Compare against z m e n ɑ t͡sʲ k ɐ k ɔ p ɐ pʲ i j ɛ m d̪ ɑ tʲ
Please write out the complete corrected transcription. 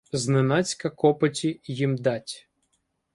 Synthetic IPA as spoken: z n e n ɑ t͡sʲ k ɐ k ɔ p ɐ tʲ i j i m d̪ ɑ tʲ